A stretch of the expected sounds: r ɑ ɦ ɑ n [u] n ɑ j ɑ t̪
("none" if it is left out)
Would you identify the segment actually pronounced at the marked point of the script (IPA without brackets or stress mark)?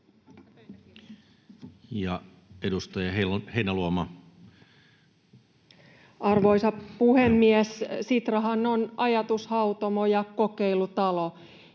o